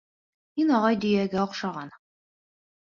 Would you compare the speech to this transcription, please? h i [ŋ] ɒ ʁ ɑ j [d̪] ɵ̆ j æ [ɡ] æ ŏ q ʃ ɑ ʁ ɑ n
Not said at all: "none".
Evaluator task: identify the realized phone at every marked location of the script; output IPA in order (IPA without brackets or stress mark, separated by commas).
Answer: n, d̪, ɡ